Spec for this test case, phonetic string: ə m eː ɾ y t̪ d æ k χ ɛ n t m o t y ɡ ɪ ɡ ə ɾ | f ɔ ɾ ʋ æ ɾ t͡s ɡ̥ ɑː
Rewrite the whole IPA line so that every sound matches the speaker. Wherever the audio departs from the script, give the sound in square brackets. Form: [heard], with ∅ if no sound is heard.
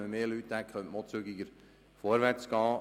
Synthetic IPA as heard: ə m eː [l] y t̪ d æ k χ [œ] n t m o [t͡s] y ɡ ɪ ɡ ə ɾ | f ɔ ɾ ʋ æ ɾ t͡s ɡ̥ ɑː